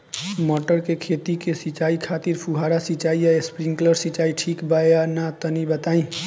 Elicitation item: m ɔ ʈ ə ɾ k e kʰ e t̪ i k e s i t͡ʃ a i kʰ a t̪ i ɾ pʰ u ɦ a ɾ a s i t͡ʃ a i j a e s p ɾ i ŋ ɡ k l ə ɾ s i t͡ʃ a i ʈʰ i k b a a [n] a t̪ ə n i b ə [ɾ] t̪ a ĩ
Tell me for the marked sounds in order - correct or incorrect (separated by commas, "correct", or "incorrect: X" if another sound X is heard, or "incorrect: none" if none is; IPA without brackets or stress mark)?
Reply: correct, incorrect: none